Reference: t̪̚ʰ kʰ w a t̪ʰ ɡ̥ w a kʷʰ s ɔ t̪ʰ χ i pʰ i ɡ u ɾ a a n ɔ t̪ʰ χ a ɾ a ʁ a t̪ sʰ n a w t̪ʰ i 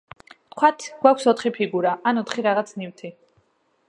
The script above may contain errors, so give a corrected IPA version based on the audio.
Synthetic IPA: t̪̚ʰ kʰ w a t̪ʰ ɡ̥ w a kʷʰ s ɔ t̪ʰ χ i pʰ i ɡ u ɾ a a n ɔ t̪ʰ χ i ɾ a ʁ a t̪ sʰ n i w t̪ʰ i